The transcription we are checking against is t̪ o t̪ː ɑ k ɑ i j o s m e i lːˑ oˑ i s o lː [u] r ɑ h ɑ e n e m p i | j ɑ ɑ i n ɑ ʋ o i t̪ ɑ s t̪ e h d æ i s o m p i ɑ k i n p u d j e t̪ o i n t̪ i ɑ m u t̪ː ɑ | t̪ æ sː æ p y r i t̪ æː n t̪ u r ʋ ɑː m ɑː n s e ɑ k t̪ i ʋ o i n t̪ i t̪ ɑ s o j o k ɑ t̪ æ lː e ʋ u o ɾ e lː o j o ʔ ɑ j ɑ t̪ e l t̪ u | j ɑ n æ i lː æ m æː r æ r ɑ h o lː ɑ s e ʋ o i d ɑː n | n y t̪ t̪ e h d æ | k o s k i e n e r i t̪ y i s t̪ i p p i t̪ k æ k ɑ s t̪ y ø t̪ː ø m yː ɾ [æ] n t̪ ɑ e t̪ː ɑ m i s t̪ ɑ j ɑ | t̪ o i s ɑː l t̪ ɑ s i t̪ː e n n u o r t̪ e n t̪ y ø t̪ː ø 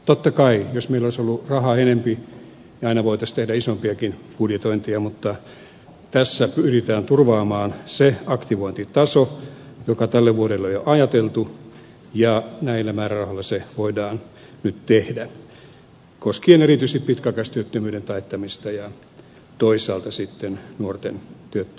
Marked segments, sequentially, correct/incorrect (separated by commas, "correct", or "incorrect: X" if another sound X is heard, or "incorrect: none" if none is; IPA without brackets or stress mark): correct, incorrect: e